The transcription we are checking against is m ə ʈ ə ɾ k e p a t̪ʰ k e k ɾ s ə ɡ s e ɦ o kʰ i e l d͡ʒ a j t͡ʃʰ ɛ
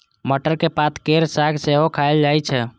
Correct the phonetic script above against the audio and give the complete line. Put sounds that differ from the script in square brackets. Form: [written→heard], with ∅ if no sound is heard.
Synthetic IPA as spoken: m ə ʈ ə ɾ k e p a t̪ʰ k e [k→∅] ɾ s [ə→a] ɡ s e ɦ o kʰ [i→a] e l d͡ʒ a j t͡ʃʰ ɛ